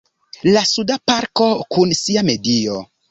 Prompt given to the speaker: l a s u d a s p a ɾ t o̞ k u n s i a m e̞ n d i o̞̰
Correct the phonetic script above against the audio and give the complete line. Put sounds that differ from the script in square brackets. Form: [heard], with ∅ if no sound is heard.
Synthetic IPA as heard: l a s u d a [∅] p a ɾ [k] o̞ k u n s i a m e̞ [∅] d i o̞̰